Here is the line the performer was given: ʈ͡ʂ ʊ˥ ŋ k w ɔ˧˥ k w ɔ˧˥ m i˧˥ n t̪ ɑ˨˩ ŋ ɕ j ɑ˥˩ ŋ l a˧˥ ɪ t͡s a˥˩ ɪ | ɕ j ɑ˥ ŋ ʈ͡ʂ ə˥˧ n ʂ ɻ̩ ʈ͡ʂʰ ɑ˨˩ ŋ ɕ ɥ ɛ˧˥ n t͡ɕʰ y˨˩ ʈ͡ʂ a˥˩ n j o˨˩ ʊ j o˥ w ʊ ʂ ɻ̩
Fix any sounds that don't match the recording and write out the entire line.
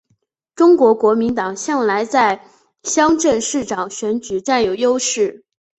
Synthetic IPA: ʈ͡ʂ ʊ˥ ŋ k w ɔ˧˥ k w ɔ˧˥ m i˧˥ n t̪ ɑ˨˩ ŋ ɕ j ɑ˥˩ ŋ l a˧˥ ɪ t͡s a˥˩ ɪ | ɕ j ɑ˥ ŋ ʈ͡ʂ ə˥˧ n ʂ ɻ̩ ʈ͡ʂ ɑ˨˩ ŋ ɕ ɥ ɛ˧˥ n t͡ɕ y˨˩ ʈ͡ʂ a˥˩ n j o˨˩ ʊ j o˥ ʊ ʂ ɻ̩